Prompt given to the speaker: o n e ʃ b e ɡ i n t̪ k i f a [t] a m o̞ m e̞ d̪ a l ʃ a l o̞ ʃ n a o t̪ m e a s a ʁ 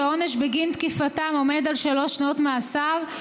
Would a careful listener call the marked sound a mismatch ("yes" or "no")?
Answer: no